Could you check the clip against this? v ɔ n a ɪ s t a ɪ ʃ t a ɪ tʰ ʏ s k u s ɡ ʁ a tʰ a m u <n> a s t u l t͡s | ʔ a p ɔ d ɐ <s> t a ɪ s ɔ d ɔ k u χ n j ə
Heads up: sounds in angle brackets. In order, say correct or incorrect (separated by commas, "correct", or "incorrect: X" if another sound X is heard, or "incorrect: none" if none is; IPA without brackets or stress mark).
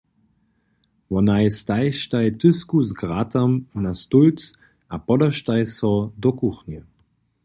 correct, incorrect: ʃ